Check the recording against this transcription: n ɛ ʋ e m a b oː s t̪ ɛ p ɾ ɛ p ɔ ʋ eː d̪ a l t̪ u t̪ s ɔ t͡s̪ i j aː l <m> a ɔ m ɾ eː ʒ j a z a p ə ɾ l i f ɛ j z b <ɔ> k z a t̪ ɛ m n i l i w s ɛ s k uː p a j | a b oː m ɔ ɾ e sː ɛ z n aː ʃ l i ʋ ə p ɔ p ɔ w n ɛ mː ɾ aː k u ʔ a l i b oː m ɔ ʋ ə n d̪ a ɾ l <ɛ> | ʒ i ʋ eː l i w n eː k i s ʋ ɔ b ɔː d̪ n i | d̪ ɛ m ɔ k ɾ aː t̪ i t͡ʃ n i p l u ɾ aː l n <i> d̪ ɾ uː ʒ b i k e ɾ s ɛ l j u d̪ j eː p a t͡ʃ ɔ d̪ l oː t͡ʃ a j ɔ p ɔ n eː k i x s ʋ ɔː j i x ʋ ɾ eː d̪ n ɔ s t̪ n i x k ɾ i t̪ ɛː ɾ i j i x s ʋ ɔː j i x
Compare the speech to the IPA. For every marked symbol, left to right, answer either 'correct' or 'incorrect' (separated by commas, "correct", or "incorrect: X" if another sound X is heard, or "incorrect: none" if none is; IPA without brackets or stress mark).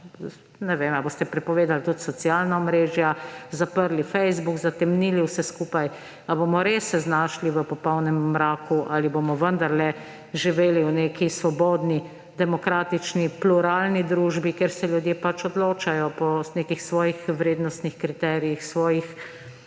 incorrect: n, incorrect: u, correct, correct